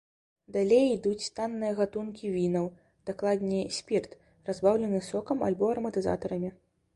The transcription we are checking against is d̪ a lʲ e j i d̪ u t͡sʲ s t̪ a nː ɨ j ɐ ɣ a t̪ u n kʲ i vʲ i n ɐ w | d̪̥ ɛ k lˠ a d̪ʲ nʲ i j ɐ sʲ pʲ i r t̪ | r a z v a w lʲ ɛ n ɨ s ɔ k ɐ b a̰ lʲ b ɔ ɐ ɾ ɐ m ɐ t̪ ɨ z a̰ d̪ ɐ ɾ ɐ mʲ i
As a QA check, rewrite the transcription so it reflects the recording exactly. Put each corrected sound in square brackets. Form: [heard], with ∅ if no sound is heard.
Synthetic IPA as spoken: d̪ a lʲ e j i d̪ u t͡sʲ s t̪ a nː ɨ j ɐ ɣ a t̪ u n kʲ i vʲ i n ɐ w | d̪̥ [a] k lˠ a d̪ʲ nʲ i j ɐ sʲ pʲ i r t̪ | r a z [b] a w lʲ ɛ n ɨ s ɔ k ɐ [m] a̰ lʲ b ɔ ɐ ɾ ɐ m ɐ t̪ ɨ z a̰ [t̪] ɐ ɾ ɐ mʲ i